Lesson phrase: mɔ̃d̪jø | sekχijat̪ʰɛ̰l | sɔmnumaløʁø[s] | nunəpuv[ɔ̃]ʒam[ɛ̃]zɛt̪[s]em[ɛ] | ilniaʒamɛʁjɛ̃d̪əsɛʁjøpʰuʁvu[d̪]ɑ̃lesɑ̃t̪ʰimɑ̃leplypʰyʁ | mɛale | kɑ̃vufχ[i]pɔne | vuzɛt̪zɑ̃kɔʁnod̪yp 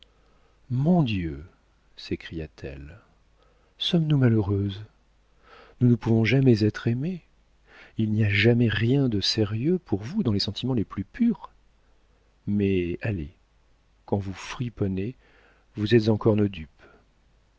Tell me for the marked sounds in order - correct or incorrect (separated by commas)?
incorrect, correct, incorrect, incorrect, incorrect, correct, correct